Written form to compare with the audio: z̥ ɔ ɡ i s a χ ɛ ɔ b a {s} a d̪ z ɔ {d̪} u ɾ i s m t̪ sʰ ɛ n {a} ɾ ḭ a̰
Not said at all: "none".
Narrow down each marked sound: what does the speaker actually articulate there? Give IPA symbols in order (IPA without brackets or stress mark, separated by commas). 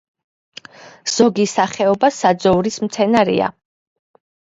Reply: s, none, a